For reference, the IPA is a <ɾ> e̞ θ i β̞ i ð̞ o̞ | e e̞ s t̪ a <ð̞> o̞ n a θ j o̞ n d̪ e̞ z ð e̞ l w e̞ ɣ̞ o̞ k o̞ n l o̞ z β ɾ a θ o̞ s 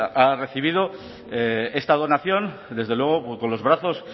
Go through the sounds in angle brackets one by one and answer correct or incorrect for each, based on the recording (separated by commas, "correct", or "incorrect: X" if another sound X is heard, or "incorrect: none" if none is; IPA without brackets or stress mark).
incorrect: r, correct